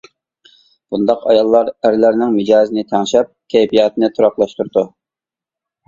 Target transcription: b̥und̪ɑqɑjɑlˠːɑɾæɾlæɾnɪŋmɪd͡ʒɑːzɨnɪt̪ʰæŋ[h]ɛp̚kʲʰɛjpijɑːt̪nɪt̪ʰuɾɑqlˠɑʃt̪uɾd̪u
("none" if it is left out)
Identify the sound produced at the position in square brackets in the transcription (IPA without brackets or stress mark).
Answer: ʃ